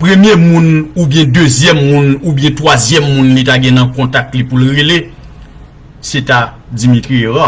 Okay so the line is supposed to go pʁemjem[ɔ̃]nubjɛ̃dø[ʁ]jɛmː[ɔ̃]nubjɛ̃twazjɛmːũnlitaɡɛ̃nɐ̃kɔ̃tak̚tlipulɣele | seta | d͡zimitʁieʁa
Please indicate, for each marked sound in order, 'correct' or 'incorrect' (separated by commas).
incorrect, incorrect, incorrect